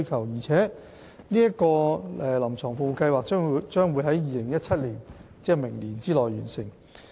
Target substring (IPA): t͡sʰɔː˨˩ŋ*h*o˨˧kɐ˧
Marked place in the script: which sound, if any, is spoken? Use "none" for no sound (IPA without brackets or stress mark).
f